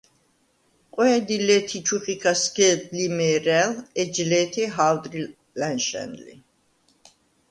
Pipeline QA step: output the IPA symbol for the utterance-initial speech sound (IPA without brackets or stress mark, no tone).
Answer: qʼ